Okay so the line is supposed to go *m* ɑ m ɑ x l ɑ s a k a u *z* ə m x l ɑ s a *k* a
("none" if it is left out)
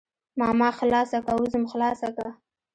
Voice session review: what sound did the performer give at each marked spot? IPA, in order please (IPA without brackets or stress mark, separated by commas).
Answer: m, z, k